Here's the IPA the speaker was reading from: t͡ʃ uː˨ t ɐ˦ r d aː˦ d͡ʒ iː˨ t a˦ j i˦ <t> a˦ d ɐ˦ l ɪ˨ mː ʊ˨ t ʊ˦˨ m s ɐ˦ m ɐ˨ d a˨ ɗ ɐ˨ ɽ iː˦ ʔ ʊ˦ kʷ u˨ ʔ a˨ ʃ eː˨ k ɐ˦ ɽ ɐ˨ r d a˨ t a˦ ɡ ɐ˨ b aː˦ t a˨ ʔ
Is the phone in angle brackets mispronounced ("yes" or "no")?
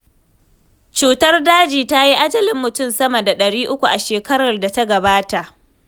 yes